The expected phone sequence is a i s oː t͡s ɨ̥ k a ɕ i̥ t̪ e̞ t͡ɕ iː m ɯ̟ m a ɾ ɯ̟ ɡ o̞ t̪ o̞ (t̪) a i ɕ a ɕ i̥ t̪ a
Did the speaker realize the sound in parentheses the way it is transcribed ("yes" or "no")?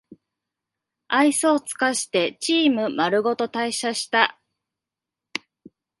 yes